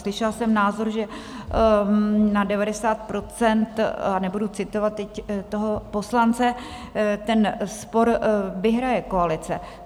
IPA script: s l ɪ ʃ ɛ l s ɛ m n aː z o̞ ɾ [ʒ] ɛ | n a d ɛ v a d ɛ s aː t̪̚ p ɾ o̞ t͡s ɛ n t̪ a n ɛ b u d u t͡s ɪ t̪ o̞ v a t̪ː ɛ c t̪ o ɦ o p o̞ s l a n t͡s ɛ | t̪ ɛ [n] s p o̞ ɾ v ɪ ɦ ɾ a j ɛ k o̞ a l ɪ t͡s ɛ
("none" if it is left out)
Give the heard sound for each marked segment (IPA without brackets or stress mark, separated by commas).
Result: ʒ, n